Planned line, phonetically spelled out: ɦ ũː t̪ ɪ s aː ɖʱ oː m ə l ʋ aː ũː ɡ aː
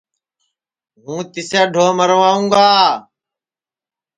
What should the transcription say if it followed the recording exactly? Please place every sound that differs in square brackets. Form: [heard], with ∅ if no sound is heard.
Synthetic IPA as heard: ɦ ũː t̪ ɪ s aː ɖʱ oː m ə [ɾ] ʋ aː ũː ɡ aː

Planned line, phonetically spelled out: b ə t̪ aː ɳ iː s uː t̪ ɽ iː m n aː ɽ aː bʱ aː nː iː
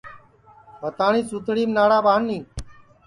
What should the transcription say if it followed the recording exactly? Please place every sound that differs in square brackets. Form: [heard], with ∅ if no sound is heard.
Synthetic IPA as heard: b ə t̪ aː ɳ iː s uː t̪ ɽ iː m n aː ɽ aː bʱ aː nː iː

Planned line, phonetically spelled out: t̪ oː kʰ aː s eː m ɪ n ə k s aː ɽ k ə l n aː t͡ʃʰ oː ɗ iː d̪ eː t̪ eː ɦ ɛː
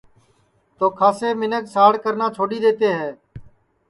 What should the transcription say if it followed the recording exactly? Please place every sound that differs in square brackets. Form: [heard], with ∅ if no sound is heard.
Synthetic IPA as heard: t̪ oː kʰ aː s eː m ɪ n ə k s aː ɽ k ə [ɾ] n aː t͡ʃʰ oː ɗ iː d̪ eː t̪ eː ɦ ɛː

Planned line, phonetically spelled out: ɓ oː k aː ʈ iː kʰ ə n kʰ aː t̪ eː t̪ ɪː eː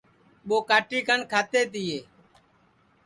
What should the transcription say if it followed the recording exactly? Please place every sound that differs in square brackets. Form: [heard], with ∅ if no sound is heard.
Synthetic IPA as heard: ɓ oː k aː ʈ iː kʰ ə n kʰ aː t̪ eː t̪ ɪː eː

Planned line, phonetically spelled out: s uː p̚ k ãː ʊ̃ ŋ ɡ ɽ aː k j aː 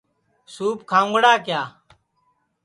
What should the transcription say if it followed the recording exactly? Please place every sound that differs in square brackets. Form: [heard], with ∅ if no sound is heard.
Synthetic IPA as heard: s uː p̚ [kʰ] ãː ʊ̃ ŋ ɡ ɽ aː k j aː

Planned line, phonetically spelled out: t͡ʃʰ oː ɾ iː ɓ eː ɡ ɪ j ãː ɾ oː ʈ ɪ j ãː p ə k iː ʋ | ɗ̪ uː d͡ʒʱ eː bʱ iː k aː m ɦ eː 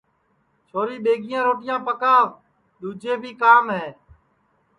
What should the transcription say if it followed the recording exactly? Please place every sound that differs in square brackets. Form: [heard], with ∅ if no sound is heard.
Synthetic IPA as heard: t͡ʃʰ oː ɾ iː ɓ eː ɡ ɪ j ãː ɾ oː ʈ ɪ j ãː p ə k [aː] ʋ | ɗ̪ uː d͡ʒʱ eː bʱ iː k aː m ɦ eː

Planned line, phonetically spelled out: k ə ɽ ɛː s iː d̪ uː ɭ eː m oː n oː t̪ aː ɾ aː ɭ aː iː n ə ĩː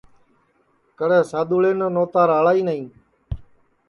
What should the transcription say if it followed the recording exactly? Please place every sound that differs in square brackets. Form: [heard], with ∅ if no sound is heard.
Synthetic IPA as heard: k ə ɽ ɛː s [aː] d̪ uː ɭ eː [n] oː n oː t̪ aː ɾ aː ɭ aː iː n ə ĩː

